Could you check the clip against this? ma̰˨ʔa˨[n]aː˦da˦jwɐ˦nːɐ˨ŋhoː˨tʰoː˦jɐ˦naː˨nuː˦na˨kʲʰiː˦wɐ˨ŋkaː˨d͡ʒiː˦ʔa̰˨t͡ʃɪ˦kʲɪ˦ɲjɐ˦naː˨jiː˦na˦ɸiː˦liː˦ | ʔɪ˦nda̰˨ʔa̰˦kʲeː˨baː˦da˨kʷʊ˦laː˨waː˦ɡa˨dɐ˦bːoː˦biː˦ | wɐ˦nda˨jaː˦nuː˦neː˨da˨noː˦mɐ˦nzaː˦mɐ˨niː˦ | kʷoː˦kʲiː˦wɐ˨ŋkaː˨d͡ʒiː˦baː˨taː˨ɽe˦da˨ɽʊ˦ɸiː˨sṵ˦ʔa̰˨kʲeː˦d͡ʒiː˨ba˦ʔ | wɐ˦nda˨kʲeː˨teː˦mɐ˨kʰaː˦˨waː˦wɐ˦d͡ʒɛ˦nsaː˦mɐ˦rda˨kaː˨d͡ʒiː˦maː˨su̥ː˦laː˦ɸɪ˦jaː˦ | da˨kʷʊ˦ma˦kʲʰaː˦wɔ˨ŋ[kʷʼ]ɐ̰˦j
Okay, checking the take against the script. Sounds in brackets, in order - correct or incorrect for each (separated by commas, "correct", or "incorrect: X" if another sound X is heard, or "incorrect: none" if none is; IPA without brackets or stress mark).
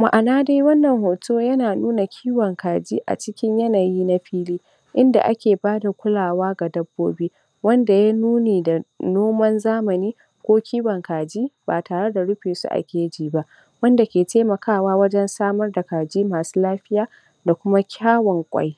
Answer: correct, correct